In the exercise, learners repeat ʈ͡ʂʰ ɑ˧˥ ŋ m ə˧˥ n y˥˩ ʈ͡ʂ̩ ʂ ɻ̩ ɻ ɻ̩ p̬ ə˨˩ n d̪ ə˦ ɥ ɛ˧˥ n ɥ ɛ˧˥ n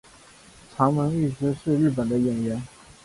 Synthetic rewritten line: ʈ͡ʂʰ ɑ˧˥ ŋ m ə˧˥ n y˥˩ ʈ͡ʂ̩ ʂ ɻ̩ ɻ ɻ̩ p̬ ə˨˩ n d̪ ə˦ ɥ ɛ˨˩ n ɥ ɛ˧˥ n